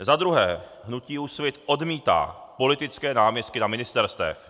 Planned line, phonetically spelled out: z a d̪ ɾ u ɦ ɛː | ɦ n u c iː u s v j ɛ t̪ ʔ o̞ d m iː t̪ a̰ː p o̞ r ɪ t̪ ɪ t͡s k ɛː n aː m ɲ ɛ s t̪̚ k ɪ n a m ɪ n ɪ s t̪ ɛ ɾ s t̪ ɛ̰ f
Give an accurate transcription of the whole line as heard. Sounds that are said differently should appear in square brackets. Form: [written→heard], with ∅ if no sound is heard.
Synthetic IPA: z a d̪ ɾ u ɦ ɛː | ɦ n u c iː u s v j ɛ t̪ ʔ o̞ d m iː t̪ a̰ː p o̞ [r→l] ɪ t̪ ɪ t͡s k ɛː n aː m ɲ ɛ s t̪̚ k ɪ n a m ɪ n ɪ s t̪ ɛ ɾ s t̪ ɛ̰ f